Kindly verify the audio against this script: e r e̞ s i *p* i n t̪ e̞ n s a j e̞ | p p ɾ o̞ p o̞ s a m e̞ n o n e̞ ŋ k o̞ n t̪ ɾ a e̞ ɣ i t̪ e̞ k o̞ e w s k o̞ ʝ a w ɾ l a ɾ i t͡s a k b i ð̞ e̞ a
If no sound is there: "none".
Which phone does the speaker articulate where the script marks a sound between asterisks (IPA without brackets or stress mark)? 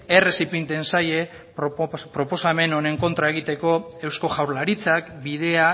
p